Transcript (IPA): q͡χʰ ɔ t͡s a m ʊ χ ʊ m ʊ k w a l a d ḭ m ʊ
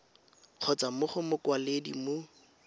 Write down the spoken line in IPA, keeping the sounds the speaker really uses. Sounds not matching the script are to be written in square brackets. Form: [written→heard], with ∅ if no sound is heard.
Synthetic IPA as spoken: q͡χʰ ɔ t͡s a m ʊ χ ʊ m ʊ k w a l [a→e] d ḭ m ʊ